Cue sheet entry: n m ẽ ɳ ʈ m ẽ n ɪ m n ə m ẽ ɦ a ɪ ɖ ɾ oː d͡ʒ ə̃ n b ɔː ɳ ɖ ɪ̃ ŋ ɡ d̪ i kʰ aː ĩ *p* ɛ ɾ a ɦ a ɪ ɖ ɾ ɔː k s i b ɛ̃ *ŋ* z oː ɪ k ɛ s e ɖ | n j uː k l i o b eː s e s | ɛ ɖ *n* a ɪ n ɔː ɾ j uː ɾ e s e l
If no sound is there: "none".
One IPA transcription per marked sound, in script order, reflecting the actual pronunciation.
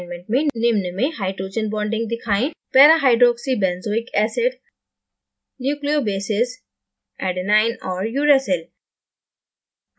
p, n, n

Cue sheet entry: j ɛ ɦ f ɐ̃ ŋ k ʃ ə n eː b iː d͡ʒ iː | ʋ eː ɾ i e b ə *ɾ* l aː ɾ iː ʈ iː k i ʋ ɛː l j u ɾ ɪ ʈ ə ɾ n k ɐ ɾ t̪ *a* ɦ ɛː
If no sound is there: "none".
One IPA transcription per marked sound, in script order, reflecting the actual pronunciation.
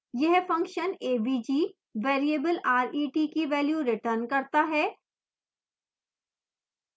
none, a

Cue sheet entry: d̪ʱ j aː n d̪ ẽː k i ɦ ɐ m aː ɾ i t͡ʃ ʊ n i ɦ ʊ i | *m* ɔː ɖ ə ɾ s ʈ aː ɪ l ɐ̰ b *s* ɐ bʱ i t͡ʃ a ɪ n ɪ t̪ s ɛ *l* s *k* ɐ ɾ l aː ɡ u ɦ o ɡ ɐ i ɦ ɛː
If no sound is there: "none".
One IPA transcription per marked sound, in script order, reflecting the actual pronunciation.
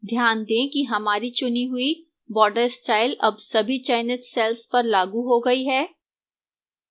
b, s, l, p

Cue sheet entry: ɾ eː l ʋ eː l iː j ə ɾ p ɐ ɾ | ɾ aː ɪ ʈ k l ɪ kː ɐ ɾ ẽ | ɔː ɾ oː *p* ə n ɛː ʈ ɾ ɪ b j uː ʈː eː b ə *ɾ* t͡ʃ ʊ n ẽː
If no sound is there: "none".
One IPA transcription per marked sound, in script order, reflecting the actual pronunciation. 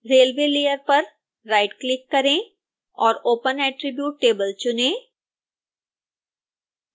p, l

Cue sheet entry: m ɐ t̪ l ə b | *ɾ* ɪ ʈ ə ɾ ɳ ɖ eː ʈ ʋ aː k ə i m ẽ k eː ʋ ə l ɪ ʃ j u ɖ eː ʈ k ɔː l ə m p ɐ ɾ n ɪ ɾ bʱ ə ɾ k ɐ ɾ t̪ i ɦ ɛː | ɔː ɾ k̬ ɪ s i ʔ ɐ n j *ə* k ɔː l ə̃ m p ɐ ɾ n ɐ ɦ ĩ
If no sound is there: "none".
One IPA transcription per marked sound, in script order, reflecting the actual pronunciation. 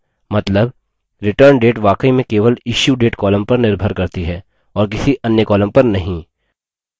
ɾ, ə

